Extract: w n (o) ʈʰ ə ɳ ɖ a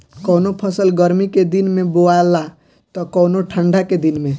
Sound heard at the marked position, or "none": o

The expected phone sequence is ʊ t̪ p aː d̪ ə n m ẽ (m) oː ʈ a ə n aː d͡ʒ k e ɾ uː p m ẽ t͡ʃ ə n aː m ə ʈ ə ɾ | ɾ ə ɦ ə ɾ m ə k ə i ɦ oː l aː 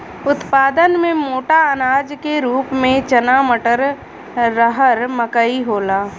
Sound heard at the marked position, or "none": m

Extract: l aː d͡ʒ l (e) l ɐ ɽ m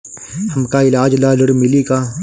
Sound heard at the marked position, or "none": a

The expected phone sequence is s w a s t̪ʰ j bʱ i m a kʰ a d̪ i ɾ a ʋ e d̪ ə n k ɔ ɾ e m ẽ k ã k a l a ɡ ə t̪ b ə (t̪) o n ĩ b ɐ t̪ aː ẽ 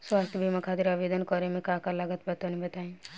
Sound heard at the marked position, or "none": t̪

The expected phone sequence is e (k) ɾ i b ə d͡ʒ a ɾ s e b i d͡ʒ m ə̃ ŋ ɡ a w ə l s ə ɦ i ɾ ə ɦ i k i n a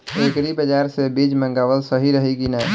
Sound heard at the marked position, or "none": k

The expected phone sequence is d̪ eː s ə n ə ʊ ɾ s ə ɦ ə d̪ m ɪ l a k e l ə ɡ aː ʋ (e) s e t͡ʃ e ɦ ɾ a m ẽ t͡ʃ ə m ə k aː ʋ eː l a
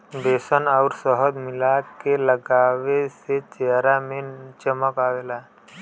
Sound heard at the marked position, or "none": e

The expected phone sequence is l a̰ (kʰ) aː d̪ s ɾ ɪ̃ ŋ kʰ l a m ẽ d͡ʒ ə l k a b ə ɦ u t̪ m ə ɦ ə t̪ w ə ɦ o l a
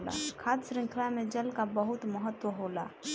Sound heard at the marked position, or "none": kʰ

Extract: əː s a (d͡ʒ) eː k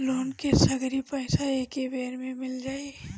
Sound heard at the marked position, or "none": none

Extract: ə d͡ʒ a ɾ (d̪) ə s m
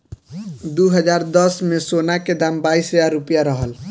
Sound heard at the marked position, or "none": d̪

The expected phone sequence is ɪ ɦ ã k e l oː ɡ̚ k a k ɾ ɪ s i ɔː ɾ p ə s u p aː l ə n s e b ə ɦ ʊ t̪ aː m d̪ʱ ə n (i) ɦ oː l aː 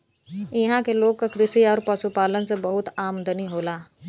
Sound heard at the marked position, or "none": i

